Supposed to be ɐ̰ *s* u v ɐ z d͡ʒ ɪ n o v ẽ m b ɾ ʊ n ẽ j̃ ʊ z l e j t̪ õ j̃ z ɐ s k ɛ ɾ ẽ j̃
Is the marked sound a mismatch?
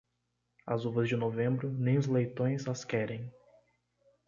yes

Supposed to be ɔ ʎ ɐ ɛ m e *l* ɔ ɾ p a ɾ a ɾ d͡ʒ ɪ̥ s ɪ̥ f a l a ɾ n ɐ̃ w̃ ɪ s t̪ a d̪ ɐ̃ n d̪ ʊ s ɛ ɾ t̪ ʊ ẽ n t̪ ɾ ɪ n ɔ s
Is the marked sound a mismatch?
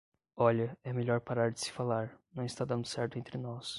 yes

